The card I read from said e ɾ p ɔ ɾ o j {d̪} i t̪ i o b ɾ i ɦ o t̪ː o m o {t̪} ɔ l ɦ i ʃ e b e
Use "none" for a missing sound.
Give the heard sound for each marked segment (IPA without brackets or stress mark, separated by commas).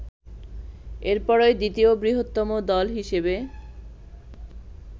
d̪, d̪